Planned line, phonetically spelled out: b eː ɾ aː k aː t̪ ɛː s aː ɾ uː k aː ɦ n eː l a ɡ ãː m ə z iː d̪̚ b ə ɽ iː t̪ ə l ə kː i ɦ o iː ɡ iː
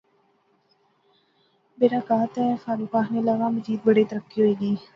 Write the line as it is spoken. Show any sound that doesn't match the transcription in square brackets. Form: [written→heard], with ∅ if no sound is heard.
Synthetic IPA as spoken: b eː ɾ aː k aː t̪ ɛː [s→f] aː ɾ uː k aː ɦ n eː l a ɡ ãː m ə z iː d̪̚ b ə ɽ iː t̪ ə [l→ɾ] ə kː i ɦ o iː ɡ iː